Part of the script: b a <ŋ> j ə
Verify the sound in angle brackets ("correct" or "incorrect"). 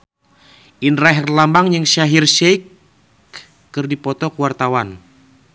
correct